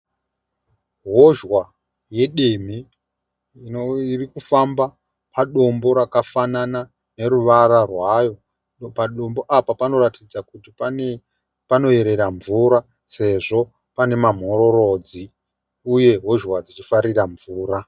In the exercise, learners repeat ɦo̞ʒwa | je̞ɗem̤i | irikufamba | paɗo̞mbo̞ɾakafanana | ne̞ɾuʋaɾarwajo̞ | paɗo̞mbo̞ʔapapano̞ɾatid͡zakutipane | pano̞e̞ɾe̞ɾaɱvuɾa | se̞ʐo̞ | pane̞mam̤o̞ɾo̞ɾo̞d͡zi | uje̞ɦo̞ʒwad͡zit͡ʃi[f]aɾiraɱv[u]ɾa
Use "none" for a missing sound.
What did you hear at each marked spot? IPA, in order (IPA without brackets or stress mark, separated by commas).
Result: f, uː